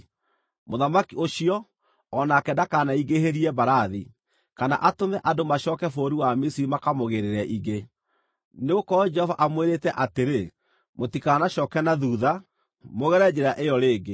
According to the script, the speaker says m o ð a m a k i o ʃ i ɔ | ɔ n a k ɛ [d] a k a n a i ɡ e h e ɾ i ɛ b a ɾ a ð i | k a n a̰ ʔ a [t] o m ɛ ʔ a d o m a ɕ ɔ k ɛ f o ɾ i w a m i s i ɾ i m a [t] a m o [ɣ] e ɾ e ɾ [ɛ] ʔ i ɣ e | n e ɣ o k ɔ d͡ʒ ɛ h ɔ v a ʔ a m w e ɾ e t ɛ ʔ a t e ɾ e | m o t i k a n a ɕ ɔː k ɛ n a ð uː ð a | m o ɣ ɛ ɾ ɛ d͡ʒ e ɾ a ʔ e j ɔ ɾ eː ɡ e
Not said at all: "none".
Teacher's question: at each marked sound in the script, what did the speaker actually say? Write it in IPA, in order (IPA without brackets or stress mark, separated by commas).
d, t, k, ɣ, ɛ